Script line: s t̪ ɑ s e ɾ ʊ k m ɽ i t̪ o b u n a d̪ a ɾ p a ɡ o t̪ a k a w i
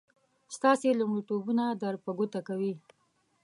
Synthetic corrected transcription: s t̪ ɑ s e l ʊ m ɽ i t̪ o b u n a d̪ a ɾ p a ɡ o t̪ a k a w i